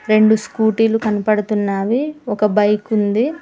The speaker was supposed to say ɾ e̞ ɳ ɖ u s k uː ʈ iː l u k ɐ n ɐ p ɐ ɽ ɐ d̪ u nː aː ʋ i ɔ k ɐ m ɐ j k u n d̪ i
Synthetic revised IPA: ɾ e̞ ɳ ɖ u s k uː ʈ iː l u k ɐ n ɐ p ɐ ɽ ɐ t̪ u nː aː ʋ i ɔ k ɐ b ɐ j k u n d̪ i